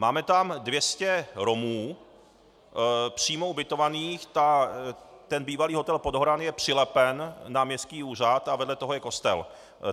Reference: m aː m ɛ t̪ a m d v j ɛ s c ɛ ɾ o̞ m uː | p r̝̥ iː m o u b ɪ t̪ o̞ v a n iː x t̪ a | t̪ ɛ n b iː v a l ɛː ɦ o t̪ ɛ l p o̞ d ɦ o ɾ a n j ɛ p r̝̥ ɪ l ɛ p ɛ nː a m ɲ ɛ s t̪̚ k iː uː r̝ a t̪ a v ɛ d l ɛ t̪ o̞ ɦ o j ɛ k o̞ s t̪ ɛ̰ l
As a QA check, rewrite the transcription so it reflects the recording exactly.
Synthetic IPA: m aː m ɛ t̪ a m d v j ɛ s c ɛ ɾ o̞ m uː | p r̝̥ iː m o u b ɪ t̪ o̞ v a n iː x t̪ a | t̪ ɛ n b iː v a l iː ɦ o t̪ ɛ l p o̞ d ɦ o ɾ a n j ɛ p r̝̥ ɪ l ɛ p ɛ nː a m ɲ ɛ s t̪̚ k iː uː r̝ a t̪ a v ɛ d l ɛ t̪ o̞ ɦ o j ɛ k o̞ s t̪ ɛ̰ l